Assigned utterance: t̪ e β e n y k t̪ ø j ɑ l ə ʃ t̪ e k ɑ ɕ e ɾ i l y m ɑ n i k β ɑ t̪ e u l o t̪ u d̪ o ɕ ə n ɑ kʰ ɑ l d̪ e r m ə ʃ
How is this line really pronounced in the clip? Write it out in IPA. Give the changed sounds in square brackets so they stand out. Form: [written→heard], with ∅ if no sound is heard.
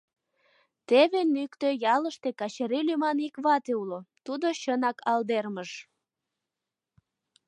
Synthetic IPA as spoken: t̪ e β e n y k t̪ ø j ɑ l ə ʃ t̪ e k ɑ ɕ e ɾ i l y m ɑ n i k β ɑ t̪ e u l o t̪ u d̪ o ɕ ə n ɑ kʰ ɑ l d̪ e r m ə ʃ

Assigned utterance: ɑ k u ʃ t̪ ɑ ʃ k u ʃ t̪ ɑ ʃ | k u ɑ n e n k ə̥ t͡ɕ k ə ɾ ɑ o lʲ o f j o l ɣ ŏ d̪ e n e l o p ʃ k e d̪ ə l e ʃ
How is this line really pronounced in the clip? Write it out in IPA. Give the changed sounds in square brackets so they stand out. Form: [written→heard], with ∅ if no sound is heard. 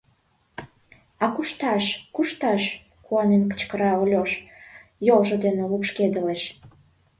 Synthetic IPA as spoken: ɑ k u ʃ t̪ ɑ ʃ k u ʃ t̪ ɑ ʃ | k u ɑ n e n k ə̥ t͡ɕ k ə ɾ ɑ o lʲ o [f→ʃ] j o l [ɣ→ʒ] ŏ d̪ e n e l [o→u] p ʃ k e d̪ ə l e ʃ

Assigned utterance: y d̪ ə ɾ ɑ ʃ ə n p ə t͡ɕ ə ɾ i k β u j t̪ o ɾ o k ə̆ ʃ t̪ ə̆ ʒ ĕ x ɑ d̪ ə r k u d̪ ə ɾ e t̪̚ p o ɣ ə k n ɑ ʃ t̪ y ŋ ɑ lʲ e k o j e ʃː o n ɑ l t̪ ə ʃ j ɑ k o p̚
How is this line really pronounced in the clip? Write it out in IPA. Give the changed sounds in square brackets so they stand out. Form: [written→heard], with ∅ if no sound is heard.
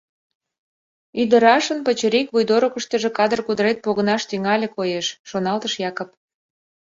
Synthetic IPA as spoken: y d̪ ə ɾ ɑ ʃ ə n p ə t͡ɕ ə ɾ i k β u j [t̪→d̪] o ɾ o k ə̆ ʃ t̪ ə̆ ʒ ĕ [x→k] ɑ d̪ ə r k u d̪ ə ɾ e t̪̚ p o ɣ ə [k→∅] n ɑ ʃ t̪ y ŋ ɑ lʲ e k o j e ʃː o n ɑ l t̪ ə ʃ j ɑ k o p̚

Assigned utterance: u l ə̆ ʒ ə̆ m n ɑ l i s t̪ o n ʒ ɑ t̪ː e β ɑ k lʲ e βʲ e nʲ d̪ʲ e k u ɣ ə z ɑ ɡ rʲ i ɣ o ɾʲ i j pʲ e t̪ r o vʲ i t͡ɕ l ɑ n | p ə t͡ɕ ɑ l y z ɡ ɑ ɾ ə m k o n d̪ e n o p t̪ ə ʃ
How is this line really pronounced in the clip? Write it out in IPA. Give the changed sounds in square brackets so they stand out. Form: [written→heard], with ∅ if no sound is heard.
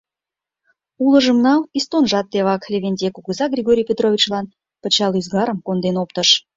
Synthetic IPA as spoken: u l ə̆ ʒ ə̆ m n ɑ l i s t̪ o n ʒ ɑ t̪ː e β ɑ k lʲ e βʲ e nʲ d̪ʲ e k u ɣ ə z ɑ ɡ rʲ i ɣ o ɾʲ i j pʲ e t̪ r o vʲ i t͡ɕ l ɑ n | p ə t͡ɕ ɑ l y z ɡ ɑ ɾ ə m k o n d̪ e n o p t̪ ə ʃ

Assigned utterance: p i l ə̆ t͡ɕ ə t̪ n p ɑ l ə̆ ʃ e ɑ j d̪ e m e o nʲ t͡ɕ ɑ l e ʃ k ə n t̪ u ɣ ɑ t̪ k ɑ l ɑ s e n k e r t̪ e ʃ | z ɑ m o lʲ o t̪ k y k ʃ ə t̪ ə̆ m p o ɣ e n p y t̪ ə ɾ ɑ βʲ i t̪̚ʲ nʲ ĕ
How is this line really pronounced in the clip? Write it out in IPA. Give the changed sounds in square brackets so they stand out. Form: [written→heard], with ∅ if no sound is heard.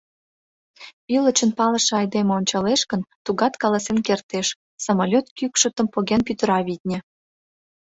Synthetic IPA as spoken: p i l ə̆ t͡ɕ ə [t̪→∅] n p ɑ l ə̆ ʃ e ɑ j d̪ e m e o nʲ t͡ɕ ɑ l e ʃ k ə n t̪ u ɣ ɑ t̪ k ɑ l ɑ s e n k e r t̪ e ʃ | [z→s] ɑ m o lʲ o t̪ k y k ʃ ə t̪ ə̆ m p o ɣ e n p y t̪ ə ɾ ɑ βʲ i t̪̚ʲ nʲ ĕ

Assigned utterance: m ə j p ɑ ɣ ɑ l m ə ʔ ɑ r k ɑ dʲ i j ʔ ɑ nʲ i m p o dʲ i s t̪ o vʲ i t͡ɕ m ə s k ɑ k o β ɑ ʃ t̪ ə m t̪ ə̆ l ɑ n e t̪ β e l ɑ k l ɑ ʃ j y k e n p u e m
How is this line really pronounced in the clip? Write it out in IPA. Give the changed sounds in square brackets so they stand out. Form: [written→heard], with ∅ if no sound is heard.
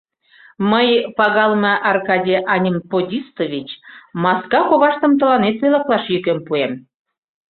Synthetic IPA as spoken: m ə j p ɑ ɣ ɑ l m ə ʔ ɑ r k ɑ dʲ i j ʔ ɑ nʲ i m p o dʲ i s t̪ o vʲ i t͡ɕ m [ə→ɑ] s k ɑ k o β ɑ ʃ t̪ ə m t̪ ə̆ l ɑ n e t̪ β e l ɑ k l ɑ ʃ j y k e [n→m] p u e m

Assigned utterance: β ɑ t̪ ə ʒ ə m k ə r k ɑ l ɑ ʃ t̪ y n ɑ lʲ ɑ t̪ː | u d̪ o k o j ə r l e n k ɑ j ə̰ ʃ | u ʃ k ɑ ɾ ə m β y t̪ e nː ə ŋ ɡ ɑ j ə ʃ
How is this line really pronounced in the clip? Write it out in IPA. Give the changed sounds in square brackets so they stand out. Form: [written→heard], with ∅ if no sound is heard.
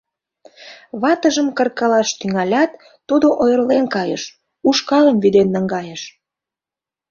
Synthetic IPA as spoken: β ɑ t̪ ə ʒ ə m k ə r k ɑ l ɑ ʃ t̪ y [n→ŋ] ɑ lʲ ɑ t̪ː | u d̪ o [k→ʔ] o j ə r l e n k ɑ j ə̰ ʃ | u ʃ k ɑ [ɾ→l] ə m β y [t̪→d̪] e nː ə ŋ ɡ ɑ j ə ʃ

